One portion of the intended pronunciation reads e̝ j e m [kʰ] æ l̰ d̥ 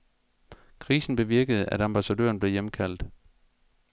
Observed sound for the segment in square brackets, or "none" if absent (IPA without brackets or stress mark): kʰ